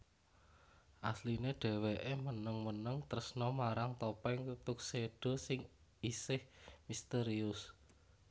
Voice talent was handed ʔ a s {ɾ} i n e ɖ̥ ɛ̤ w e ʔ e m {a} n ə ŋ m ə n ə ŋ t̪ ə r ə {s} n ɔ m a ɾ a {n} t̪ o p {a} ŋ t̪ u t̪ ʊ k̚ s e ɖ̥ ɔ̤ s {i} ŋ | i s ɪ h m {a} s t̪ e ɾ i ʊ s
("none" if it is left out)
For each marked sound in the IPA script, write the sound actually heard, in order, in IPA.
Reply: l, ə, s, ŋ, ɛ, ɪ, i

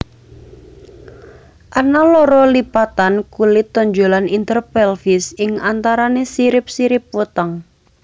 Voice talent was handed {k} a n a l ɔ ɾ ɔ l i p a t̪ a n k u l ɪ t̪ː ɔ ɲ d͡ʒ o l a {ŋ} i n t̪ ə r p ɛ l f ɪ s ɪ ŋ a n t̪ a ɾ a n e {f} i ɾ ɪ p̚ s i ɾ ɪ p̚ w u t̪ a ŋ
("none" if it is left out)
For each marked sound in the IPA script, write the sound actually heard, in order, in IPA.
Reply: ʔ, n, s

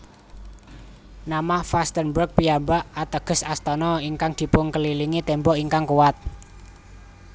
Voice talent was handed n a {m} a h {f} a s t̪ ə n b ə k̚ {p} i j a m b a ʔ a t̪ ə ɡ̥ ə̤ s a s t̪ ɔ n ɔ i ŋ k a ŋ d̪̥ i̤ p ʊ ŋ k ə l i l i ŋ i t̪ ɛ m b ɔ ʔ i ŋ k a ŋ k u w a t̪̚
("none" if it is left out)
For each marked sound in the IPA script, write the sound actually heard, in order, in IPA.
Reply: m, f, p

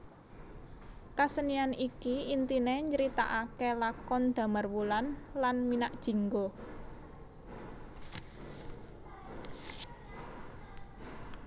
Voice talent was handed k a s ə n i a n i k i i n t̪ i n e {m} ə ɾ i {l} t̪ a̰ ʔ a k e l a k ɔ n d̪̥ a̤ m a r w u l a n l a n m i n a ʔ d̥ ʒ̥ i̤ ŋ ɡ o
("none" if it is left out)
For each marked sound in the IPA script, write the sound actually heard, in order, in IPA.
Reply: ɲ, none

